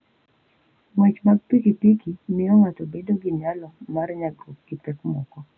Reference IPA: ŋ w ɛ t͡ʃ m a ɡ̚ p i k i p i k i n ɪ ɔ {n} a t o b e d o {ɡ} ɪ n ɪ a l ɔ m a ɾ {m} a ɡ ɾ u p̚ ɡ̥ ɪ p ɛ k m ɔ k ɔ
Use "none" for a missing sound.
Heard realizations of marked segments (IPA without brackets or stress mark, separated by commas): ŋ, ɡ, ɲ